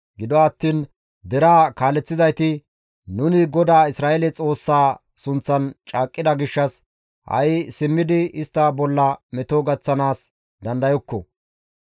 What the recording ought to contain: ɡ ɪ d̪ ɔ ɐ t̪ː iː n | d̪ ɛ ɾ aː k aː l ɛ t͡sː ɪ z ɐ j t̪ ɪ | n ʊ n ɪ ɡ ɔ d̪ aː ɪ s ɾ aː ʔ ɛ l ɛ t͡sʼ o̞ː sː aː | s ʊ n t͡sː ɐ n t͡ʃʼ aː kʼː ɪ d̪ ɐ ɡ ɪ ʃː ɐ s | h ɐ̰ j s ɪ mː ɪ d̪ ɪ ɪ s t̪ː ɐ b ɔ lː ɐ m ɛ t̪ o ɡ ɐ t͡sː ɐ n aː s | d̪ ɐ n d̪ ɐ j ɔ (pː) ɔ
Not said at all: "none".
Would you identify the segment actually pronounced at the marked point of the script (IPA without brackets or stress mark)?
kː